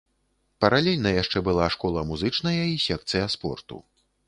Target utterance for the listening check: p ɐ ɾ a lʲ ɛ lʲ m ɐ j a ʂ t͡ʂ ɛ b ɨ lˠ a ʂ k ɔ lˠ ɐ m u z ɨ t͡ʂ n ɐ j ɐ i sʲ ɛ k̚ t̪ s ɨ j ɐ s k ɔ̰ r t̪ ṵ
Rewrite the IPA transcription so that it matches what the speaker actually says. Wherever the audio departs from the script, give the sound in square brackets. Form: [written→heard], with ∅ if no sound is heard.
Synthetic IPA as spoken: p ɐ ɾ a lʲ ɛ lʲ [m→n] ɐ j a ʂ t͡ʂ ɛ b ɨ lˠ a ʂ k ɔ lˠ ɐ m u z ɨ t͡ʂ n ɐ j ɐ i sʲ ɛ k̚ t̪ s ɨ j ɐ s [k→p] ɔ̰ r t̪ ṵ

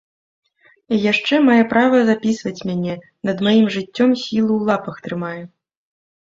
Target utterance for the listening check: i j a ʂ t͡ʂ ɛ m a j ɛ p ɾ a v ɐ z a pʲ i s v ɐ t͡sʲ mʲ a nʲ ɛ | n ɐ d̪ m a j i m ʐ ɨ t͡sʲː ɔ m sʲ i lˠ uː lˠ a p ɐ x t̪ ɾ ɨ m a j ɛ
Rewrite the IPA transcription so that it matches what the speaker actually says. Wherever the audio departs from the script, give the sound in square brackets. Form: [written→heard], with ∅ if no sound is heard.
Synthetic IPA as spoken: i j a ʂ t͡ʂ ɛ m a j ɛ p ɾ a v ɐ z a pʲ i s v ɐ t͡sʲ mʲ a nʲ ɛ | n ɐ d̪ m a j i m ʐ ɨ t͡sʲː ɔ m sʲ i lˠ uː lˠ a p ɐ x t̪ ɾ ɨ m a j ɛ

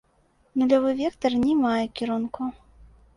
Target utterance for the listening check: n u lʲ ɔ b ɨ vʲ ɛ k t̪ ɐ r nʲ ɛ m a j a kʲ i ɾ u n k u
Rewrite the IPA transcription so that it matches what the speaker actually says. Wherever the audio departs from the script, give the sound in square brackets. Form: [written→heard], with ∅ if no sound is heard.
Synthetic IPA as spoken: n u lʲ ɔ [b→v] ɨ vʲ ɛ k t̪ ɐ r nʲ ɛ m a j [a→ɛ] kʲ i ɾ u n k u

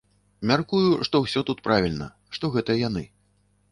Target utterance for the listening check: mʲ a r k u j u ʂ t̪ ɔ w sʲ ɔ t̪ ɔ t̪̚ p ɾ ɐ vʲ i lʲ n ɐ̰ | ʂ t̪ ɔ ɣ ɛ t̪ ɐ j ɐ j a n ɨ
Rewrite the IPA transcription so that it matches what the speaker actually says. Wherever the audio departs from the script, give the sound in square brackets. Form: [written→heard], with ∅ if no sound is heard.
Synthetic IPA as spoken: mʲ a r k u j u ʂ t̪ ɔ w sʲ ɔ t̪ [ɔ→u] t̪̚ p ɾ [ɐ→a] vʲ i lʲ n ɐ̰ | ʂ t̪ ɔ ɣ ɛ t̪ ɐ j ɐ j a n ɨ

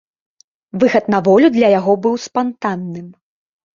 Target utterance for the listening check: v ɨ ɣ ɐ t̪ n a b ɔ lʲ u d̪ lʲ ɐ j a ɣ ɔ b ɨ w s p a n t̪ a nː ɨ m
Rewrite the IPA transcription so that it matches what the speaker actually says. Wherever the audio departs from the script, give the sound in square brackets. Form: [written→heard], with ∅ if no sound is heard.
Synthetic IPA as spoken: v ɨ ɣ ɐ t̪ n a [b→v] ɔ lʲ u d̪ lʲ ɐ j a ɣ ɔ b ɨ w s p a n t̪ a nː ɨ m

